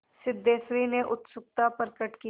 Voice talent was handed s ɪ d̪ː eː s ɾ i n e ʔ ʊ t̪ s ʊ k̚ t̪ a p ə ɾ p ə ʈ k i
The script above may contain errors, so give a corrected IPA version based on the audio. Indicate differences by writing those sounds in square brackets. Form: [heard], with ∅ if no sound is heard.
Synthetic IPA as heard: s ɪ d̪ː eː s ɾ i n e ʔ ʊ t̪ s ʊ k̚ t̪ a p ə ɾ [k] ə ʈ k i